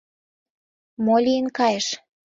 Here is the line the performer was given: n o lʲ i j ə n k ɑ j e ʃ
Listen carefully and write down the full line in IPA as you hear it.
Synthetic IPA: m o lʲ i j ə n k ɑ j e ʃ